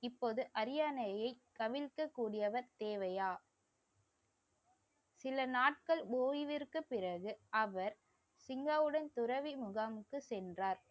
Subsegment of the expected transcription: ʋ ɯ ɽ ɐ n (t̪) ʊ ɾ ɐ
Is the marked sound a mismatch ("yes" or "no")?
no